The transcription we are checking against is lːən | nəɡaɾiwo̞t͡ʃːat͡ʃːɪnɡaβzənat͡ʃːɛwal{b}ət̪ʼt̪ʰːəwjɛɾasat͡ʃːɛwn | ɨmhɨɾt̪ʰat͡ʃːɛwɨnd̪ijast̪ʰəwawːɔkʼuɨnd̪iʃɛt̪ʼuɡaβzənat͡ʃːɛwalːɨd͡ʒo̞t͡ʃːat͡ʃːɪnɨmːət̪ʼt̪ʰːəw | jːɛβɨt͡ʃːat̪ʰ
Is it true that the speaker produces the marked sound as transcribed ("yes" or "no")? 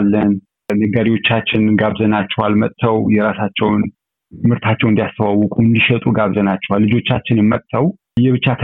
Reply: no